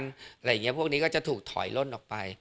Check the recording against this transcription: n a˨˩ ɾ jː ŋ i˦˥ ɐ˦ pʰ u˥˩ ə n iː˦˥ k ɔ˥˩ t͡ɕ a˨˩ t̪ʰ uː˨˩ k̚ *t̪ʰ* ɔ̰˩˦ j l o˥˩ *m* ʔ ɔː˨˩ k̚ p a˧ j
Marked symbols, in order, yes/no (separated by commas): yes, no